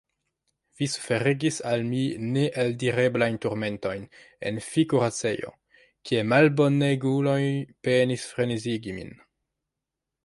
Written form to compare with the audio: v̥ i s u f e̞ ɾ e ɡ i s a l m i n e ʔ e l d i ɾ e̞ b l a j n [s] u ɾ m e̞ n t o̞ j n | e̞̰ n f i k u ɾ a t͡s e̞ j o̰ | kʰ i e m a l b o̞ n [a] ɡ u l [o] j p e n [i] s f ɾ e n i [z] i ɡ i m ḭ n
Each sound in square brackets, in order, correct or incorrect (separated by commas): incorrect, incorrect, correct, correct, correct